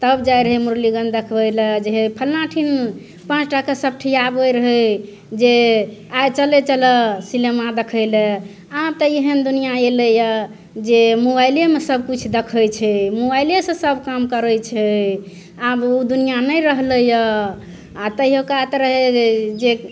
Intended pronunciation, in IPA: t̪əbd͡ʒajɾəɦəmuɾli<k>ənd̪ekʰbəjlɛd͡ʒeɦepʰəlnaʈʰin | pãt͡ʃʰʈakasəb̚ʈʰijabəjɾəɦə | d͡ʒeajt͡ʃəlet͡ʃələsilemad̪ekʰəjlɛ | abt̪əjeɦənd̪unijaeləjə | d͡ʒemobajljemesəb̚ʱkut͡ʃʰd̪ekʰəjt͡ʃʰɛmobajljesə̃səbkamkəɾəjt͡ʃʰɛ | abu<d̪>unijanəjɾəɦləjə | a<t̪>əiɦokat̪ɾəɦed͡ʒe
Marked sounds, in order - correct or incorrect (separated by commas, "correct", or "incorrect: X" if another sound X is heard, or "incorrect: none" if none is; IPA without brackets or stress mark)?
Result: incorrect: ɡ, correct, correct